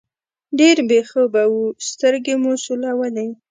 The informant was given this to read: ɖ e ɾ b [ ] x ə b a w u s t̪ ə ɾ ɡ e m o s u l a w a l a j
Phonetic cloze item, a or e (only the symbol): e